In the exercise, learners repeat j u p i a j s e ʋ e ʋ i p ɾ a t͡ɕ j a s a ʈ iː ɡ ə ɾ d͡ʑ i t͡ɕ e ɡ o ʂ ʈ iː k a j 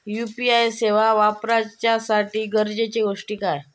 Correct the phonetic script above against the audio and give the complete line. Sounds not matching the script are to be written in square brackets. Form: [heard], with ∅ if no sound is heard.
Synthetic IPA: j u p i a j s e ʋ [a] ʋ [a] p ɾ a t͡ɕ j a s a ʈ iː ɡ ə ɾ d͡ʑ [e] t͡ɕ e ɡ o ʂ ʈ iː k a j